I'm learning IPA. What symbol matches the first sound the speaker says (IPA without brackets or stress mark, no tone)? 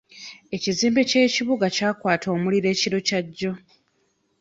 e̞